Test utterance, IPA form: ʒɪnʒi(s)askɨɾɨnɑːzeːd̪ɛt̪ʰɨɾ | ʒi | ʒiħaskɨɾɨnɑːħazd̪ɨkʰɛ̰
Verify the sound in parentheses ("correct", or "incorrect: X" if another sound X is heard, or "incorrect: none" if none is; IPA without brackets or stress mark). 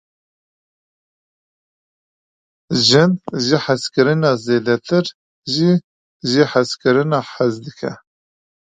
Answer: incorrect: ħ